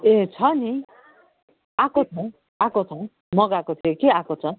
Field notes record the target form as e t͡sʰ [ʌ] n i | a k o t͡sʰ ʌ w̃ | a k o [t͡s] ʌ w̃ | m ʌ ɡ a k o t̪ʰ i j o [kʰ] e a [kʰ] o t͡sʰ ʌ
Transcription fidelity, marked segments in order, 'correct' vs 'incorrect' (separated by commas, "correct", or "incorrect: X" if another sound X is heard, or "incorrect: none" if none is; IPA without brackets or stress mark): correct, incorrect: t͡sʰ, incorrect: k, incorrect: k